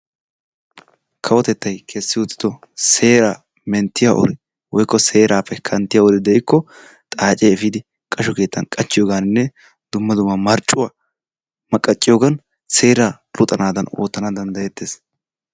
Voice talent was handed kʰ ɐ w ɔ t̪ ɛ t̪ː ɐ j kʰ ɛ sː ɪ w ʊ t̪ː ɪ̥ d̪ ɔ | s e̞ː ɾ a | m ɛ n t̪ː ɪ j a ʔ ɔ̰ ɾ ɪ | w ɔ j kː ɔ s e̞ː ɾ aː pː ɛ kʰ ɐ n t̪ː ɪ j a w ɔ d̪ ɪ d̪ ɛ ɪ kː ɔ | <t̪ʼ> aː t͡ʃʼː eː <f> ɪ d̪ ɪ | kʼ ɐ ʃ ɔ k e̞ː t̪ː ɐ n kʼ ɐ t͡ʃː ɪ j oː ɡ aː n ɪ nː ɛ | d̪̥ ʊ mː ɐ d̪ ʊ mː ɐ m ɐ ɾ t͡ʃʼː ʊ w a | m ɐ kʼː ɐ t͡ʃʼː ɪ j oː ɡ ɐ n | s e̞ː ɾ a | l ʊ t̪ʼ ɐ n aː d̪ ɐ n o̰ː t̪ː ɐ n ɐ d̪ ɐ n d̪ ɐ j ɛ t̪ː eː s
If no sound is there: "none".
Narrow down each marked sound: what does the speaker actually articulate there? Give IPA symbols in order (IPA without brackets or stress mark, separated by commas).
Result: t̪ʼ, f